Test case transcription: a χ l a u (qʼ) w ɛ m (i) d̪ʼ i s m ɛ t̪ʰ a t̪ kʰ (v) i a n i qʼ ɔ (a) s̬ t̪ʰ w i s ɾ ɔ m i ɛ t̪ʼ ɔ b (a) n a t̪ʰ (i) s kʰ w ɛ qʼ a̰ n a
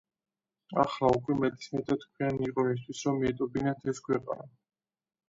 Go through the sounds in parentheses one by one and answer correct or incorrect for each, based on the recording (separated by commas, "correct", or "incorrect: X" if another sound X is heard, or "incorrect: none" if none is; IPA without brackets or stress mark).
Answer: incorrect: kʼ, incorrect: ɛ, incorrect: w, incorrect: i, incorrect: i, incorrect: ɛ